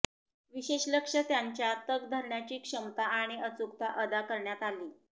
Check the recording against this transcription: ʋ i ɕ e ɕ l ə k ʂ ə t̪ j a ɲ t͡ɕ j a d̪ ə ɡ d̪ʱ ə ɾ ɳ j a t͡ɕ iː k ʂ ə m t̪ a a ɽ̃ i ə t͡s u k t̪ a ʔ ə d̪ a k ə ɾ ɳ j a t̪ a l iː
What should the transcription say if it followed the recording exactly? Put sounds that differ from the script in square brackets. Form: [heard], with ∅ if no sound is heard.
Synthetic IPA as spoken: ʋ i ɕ e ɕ l ə k ʂ ə t̪ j a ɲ t͡ɕ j a [t̪] ə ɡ d̪ʱ ə ɾ ɳ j a t͡ɕ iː k ʂ ə m t̪ a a ɽ̃ i ə t͡s u k t̪ a ʔ ə d̪ a k ə ɾ ɳ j a t̪ a l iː